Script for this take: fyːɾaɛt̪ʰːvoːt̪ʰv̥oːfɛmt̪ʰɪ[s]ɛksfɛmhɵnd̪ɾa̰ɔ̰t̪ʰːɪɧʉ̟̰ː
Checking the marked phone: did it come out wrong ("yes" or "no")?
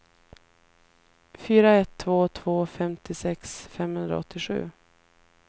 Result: no